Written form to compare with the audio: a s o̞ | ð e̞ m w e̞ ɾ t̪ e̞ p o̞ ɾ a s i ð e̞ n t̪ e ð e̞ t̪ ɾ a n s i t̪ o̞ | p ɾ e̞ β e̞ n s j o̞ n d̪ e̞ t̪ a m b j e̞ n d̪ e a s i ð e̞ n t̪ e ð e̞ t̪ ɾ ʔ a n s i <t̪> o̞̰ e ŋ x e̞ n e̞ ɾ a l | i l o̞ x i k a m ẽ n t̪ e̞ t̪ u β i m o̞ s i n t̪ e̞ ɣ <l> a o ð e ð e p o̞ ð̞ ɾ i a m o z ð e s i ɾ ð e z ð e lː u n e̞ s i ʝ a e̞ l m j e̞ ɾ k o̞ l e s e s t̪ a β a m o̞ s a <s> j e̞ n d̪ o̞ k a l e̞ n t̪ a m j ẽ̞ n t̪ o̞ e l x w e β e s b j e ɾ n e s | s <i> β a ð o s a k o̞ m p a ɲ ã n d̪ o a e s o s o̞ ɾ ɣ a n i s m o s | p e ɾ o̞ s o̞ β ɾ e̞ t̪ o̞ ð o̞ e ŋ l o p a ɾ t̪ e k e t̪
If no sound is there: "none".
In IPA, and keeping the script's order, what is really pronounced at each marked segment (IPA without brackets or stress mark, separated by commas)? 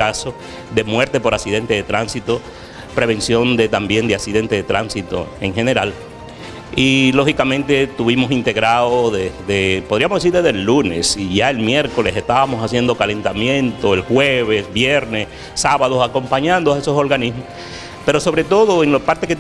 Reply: t̪, ɾ, s, a